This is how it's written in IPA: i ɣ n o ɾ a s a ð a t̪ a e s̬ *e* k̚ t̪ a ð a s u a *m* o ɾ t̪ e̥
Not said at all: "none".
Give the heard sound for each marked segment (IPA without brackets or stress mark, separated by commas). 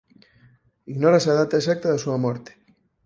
a, m